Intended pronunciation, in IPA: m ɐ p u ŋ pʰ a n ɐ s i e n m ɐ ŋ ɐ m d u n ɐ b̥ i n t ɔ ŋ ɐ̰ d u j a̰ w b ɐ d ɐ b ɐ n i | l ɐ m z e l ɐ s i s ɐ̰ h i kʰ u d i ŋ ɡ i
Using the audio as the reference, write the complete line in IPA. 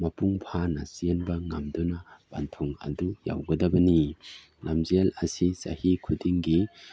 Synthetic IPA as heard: m ɐ p u ŋ pʰ a n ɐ s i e n b ɐ ŋ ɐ m d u n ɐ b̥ a n tʰ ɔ ŋ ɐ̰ d u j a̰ w ɡ ɐ d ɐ b ɐ n i | l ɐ m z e l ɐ s i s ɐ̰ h i kʰ u d i ŋ ɡ i

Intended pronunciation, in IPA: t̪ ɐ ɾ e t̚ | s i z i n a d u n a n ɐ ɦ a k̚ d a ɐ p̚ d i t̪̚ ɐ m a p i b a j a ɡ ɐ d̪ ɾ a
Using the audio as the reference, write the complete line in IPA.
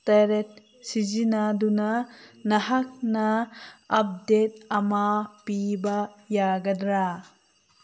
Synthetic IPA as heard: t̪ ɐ ɾ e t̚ | s i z i n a d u n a n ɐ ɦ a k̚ n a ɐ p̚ d e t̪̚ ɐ m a p i b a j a ɡ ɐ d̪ ɾ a

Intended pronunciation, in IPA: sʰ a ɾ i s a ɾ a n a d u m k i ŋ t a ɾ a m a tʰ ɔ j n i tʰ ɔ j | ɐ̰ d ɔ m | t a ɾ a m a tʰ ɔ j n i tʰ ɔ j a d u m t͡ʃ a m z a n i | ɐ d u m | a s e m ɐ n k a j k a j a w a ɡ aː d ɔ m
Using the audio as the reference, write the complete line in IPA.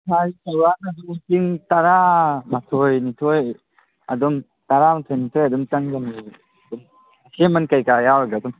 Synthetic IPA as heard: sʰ a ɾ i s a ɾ a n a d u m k i ŋ t a ɾ a m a tʰ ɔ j n i tʰ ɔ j | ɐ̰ d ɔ m | t a ɾ a m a tʰ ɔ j n i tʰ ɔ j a d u m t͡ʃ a ŋ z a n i | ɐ d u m | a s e m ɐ n k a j k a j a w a ɡ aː d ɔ m

